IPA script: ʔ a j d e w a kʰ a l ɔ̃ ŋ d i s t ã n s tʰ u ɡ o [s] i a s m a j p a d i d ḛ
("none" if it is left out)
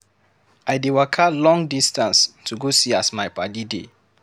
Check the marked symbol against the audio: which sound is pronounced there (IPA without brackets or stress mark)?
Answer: s